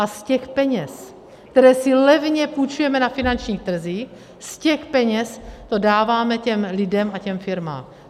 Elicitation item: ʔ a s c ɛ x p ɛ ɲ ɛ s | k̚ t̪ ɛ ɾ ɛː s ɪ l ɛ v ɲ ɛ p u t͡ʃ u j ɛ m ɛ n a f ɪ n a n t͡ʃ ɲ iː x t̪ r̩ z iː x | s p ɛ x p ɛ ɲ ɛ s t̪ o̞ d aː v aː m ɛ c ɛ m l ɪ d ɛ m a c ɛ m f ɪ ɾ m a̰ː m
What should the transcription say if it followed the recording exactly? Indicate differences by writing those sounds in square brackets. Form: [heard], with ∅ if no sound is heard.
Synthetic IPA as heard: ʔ a s c ɛ x p ɛ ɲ ɛ s | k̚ t̪ ɛ ɾ ɛː s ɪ l ɛ v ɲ ɛ p u t͡ʃ u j ɛ m ɛ n a f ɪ n a n t͡ʃ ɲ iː x t̪ r̩ z iː x | s [c] ɛ x p ɛ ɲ ɛ s t̪ o̞ d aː v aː m ɛ c ɛ m l ɪ d ɛ m a c ɛ m f ɪ ɾ m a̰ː m